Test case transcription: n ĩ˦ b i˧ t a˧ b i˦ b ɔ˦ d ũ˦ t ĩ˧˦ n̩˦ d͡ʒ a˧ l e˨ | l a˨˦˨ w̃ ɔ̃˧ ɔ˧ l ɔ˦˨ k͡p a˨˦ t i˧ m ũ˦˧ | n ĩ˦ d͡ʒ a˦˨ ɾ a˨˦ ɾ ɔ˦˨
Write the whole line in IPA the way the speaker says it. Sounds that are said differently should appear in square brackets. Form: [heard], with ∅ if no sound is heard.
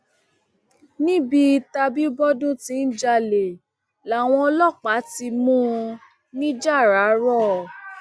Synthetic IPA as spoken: n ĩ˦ b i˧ t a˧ b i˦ b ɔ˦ d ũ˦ t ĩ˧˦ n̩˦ d͡ʒ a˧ l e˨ | l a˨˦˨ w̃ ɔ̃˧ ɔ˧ l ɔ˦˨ k͡p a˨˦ t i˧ m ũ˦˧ | n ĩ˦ d͡ʒ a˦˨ ɾ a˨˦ ɾ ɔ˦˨